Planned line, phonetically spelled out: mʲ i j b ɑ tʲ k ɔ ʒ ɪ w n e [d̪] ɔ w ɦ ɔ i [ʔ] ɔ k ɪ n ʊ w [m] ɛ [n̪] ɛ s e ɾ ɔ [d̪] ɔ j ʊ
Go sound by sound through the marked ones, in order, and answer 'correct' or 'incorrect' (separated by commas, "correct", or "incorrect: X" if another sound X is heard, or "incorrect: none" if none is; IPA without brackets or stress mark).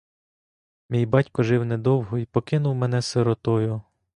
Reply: correct, incorrect: p, correct, correct, incorrect: t̪